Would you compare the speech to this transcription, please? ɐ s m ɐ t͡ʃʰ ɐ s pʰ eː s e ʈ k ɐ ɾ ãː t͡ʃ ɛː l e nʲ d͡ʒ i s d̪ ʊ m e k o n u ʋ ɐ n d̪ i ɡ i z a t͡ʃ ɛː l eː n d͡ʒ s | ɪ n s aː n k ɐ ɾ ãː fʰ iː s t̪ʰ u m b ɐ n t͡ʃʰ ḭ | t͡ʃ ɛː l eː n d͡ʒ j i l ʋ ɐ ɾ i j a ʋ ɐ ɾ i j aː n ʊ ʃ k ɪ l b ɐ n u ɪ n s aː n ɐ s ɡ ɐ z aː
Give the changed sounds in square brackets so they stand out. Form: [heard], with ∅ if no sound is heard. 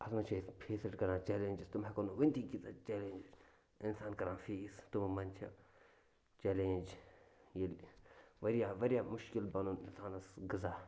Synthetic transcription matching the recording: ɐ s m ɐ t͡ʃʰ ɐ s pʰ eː s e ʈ k ɐ ɾ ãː t͡ʃ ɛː l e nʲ d͡ʒ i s [t̪] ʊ m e k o n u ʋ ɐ n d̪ i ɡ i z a t͡ʃ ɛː l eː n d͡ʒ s | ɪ n s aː n k ɐ ɾ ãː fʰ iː s [t̪] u m [m] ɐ n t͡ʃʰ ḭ | t͡ʃ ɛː l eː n d͡ʒ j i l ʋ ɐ ɾ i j a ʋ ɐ ɾ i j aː [m] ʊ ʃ k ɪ l b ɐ n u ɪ n s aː n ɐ s ɡ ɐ z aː